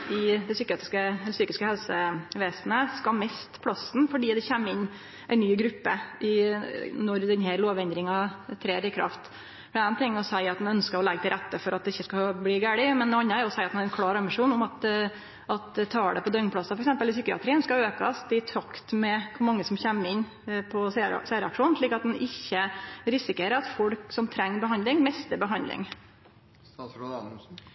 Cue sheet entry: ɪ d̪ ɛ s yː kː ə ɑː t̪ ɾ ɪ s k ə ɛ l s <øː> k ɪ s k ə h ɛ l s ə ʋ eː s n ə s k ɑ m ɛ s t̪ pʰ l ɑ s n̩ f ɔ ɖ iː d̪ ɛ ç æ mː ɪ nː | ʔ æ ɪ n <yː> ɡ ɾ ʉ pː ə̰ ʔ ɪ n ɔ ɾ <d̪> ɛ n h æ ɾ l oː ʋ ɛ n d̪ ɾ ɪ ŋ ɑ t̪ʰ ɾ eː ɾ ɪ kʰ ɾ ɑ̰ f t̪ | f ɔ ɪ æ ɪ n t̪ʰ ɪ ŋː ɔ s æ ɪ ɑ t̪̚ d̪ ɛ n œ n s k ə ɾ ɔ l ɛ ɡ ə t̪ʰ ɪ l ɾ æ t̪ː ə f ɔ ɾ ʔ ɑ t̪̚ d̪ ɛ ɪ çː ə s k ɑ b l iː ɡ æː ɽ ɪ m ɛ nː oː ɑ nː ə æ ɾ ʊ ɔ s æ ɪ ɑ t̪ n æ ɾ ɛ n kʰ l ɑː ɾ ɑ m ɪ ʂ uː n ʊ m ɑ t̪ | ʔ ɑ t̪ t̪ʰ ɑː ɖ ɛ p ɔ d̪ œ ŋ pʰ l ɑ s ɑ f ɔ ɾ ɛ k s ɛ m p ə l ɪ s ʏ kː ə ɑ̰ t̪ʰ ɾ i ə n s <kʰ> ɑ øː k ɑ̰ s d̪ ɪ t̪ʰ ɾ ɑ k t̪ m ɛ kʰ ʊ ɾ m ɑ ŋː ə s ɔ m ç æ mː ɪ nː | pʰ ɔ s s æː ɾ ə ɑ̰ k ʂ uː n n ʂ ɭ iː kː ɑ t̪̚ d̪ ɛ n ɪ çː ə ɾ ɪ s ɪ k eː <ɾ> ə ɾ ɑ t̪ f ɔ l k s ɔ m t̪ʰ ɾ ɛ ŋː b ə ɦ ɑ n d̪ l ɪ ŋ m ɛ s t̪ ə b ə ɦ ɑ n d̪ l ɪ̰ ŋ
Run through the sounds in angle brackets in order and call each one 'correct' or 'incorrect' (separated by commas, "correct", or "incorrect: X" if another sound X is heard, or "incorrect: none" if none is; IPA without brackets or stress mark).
incorrect: yː, correct, correct, incorrect: k, correct